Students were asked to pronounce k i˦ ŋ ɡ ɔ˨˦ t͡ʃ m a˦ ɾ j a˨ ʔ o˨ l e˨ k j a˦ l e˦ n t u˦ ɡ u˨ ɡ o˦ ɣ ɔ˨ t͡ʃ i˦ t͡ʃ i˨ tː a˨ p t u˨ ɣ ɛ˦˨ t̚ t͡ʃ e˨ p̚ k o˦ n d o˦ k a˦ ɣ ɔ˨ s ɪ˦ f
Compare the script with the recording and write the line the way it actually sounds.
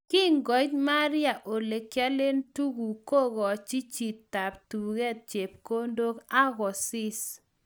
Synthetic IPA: k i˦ ŋ ɡ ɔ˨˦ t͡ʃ m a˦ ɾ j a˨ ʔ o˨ l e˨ k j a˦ l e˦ n t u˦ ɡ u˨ k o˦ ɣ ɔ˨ t͡ʃ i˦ t͡ʃ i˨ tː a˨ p t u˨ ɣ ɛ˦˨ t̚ t͡ʃ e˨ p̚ k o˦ n d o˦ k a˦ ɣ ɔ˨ s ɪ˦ s

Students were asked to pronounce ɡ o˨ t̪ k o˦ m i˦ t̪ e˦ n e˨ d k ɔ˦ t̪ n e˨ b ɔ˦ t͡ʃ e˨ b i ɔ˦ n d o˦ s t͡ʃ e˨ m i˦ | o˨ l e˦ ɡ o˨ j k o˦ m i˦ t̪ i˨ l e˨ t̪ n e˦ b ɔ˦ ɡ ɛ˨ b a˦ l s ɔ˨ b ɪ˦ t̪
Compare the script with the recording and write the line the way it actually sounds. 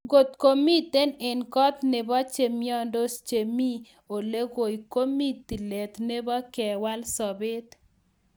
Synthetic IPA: ɡ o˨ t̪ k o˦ m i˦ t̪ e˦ n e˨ n k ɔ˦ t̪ n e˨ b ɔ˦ t͡ʃ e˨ m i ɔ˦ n d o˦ s t͡ʃ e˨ m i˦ | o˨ l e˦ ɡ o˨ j k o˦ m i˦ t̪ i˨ l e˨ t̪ n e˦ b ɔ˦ k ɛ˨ w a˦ l s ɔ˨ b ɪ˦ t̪

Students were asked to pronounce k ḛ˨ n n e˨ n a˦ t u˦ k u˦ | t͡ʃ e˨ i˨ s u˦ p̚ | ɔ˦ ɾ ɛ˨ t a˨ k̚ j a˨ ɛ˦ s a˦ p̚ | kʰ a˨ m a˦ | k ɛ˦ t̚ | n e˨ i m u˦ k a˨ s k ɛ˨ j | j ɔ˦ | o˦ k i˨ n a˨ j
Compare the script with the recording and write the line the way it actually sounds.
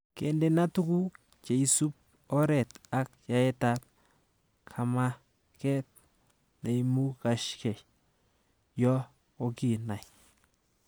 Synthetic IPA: k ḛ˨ n d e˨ n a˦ t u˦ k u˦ | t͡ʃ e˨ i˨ s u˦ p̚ | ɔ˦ ɾ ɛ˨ t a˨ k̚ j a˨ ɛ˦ t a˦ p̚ | kʰ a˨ m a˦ | k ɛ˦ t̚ | n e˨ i m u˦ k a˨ ʃ k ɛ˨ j | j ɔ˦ | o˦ k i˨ n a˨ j

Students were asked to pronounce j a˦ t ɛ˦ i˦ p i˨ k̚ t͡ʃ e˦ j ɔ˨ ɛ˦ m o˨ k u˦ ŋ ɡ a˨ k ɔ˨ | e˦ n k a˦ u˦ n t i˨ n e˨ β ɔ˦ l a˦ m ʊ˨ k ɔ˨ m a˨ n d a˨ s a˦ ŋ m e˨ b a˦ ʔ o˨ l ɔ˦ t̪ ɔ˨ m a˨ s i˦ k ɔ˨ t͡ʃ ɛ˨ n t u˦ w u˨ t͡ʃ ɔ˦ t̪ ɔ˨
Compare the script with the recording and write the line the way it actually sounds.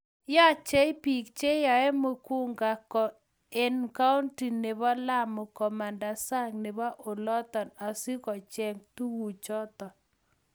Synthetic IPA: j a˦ t͡ʃ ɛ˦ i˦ p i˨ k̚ t͡ʃ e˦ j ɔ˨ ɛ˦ m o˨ k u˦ ŋ ɡ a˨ k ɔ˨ | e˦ n k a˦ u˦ n t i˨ n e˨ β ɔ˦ l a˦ m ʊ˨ k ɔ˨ m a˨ n d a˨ s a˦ ŋ n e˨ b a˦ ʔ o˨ l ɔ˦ t̪ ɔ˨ n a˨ s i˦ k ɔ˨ t͡ʃ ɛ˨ ŋ t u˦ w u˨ t͡ʃ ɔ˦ t̪ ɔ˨

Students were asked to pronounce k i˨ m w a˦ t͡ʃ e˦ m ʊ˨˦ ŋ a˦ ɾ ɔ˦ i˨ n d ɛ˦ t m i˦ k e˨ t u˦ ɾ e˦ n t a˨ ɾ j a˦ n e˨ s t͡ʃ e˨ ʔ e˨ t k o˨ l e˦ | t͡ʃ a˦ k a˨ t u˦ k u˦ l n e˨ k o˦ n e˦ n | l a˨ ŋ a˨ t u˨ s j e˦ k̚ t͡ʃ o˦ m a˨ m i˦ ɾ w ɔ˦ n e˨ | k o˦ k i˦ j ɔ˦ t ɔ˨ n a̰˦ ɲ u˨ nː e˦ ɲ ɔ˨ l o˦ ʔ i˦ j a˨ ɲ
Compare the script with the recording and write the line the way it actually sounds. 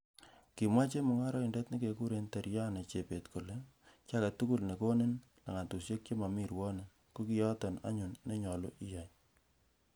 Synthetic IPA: k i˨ m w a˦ t͡ʃ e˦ m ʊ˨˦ ŋ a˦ ɾ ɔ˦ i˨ n d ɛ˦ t n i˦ k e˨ k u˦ ɾ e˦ n t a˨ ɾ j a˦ n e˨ t͡ʃ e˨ p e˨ t k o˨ l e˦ | t͡ʃ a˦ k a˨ t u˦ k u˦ l n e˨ k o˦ n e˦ n | l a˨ ŋ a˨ t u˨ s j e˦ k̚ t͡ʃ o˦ m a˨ m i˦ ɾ w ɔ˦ n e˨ | k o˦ k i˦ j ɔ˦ t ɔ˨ n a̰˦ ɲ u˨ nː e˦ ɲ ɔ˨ l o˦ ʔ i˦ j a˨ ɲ

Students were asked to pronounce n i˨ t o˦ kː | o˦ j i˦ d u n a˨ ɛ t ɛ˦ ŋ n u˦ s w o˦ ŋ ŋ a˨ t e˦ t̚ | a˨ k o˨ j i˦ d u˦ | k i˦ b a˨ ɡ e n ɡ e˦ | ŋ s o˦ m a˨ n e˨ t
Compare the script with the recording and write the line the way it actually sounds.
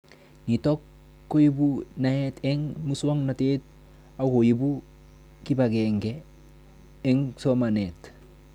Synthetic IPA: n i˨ t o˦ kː | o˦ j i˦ b u n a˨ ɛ t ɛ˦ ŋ m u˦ s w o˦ ŋ n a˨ t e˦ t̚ | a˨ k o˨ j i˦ b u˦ | k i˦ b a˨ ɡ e ŋ ɡ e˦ | ŋ s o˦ m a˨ n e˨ t

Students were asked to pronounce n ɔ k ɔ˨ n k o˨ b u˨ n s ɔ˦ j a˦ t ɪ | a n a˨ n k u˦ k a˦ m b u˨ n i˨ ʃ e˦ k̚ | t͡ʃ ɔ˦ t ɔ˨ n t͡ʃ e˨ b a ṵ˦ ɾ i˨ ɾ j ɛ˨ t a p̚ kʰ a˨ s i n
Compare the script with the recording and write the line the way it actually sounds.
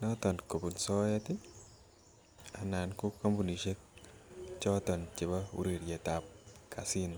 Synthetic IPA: n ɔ t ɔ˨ n k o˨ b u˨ n s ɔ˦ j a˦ t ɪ | a n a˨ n k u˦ k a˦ m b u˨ n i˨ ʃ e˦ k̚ | t͡ʃ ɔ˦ t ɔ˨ n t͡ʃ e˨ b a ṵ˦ ɾ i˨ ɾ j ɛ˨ t a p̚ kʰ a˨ s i n

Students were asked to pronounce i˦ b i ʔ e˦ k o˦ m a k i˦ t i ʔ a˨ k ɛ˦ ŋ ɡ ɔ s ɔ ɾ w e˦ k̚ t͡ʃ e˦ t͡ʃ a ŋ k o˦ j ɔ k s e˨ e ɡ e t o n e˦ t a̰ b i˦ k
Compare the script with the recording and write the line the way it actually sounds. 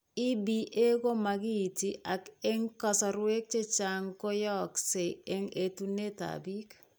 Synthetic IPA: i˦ b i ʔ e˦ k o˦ m a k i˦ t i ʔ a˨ k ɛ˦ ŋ k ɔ s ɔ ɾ w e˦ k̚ t͡ʃ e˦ t͡ʃ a ŋ k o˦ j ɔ k s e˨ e ŋ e t u n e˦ t a̰ b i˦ k

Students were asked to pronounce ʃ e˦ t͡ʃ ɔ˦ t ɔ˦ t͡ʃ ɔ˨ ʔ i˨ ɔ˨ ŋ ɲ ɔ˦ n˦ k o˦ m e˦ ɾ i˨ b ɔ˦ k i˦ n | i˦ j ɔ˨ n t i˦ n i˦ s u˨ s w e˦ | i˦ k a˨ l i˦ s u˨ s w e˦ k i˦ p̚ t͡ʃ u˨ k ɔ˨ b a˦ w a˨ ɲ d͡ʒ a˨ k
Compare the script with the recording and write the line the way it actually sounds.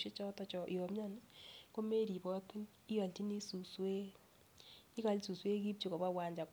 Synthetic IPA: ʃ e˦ t͡ʃ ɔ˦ t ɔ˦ t͡ʃ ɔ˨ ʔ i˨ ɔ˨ m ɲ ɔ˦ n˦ k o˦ m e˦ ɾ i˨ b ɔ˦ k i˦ n | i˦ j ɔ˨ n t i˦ n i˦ s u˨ s w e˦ | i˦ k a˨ l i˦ s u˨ s w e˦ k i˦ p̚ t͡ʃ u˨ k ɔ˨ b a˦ w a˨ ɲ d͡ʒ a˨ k

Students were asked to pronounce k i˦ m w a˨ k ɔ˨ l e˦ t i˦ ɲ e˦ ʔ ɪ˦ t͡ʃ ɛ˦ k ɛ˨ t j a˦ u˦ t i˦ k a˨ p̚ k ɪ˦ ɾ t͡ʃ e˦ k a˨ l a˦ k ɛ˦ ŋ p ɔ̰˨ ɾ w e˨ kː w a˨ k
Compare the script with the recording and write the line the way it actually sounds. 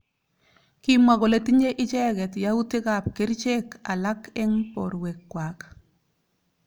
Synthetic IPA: k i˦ m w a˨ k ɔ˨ l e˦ t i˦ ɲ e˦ ʔ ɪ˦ t͡ʃ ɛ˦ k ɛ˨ t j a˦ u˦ t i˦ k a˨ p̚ k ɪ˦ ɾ t͡ʃ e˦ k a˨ l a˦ k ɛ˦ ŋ p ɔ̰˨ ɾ w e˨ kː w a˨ k

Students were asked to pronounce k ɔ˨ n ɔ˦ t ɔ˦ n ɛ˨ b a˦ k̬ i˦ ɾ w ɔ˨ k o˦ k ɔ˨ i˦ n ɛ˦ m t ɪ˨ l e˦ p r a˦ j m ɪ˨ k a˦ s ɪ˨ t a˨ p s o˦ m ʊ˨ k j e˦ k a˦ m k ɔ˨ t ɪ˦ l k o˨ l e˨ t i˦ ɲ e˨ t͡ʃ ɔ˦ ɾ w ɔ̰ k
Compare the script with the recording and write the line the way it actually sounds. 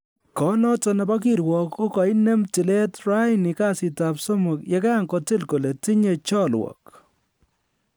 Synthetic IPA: k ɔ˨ n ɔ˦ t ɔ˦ n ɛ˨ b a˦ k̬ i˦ ɾ w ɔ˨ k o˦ k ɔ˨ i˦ n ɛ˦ m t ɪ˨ l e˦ t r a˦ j n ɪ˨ k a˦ s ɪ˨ t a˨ p s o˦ m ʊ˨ k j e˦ k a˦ ŋ k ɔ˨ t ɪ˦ l k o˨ l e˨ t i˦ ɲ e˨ t͡ʃ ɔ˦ l w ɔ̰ k

